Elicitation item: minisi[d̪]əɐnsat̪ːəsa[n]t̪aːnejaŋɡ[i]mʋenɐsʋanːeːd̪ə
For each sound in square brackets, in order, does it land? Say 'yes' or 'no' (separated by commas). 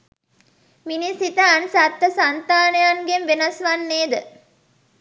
no, yes, no